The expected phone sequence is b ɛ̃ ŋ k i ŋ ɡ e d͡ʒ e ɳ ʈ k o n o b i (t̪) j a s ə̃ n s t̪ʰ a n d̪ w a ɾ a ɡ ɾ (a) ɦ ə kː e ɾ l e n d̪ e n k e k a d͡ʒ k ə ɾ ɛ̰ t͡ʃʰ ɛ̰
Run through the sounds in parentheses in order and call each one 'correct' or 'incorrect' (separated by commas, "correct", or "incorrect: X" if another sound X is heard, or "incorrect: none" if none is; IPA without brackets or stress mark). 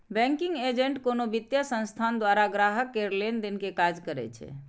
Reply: correct, correct